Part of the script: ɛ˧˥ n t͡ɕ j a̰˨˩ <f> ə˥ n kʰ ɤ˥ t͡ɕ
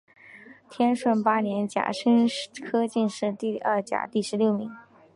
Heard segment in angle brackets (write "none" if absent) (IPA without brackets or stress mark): ʂ